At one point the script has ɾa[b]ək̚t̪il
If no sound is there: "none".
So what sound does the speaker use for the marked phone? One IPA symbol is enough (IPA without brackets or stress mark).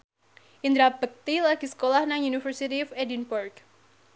b